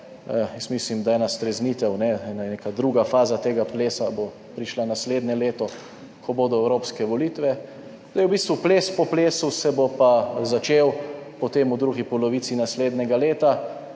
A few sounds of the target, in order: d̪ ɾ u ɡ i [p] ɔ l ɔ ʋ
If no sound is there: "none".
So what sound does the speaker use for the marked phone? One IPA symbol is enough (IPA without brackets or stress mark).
p